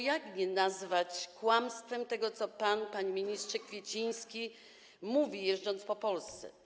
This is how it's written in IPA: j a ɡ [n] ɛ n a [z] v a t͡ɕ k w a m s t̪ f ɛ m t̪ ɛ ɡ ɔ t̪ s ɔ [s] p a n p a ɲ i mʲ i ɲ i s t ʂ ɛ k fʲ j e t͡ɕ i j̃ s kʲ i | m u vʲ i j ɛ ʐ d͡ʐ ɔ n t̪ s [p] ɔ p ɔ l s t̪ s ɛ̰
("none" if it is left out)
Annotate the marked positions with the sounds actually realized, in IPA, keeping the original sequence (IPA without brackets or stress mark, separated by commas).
ɲ, z, none, p